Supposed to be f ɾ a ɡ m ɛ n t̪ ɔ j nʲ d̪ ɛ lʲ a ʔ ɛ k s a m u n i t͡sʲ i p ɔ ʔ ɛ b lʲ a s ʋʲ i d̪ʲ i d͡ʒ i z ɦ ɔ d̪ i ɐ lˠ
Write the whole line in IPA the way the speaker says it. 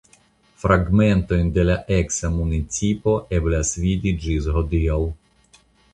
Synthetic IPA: f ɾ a ɡ m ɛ n t̪ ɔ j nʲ d̪ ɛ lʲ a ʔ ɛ k s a m u n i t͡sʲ i p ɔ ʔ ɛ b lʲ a s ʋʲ i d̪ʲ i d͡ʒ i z ɦ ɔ d̪ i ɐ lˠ